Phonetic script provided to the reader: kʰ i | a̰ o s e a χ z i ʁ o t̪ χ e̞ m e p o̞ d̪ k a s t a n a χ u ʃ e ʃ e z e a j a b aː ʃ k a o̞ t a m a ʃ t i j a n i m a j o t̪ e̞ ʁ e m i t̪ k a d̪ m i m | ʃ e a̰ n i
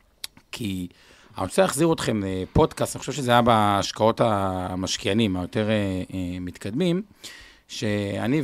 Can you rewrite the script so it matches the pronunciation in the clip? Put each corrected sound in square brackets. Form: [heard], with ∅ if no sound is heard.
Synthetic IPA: kʰ i | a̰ o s e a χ z i ʁ o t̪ χ e̞ m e p o̞ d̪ k a s t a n [i] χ [o] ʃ e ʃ e z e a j a b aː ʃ k a o̞ t a m a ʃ [k] i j a n i m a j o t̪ e̞ ʁ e m i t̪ k a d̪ m i m | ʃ e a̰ n i